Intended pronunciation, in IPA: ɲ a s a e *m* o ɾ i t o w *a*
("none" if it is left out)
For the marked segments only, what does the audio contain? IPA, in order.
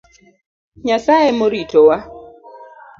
m, a

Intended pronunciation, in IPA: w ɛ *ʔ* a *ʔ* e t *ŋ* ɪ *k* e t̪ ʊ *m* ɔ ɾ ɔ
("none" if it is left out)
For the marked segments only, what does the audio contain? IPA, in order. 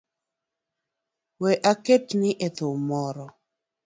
ʔ, k, n, ʔ, m

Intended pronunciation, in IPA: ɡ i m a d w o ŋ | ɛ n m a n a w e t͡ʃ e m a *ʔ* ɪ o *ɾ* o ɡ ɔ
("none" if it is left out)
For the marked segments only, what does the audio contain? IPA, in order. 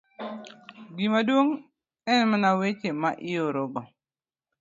ʔ, ɾ

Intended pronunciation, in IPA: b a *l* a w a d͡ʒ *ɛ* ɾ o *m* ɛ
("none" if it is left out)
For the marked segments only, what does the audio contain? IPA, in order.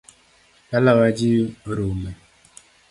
l, i, m

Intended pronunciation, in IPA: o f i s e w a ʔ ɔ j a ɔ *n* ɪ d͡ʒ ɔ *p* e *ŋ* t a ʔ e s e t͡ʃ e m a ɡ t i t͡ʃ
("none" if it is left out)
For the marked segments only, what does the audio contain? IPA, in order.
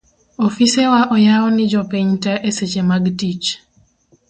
n, p, ɲ

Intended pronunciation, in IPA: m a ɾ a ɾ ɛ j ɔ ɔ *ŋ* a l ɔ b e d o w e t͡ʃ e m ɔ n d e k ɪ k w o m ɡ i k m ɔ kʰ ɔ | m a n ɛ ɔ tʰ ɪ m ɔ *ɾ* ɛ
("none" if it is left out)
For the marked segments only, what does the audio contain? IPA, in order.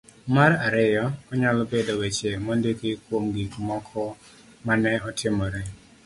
ɲ, ɾ

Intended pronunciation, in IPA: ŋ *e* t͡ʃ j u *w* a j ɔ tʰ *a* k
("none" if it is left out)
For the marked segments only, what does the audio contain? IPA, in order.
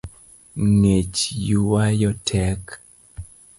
e, w, ɛ

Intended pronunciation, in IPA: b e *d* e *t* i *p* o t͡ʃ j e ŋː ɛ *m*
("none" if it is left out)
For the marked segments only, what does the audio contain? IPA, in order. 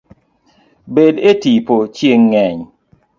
d, t, p, ɲ

